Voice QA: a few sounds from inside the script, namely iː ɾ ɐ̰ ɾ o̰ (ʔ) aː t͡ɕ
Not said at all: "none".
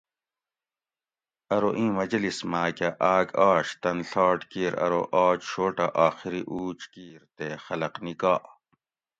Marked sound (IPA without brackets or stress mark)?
ʔ